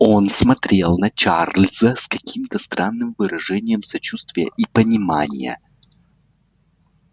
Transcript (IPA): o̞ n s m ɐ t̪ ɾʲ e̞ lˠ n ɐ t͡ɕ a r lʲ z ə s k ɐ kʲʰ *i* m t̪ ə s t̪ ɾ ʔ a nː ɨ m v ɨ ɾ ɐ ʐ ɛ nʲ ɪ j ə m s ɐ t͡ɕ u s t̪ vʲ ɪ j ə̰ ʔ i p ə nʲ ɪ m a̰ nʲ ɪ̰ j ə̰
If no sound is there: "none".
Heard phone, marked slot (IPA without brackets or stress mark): i